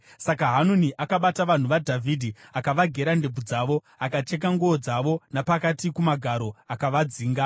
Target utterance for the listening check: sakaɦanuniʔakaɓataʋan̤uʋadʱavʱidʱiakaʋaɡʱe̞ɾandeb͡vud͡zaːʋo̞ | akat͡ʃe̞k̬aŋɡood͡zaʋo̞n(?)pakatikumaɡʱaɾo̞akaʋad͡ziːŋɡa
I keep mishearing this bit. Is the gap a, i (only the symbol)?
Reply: a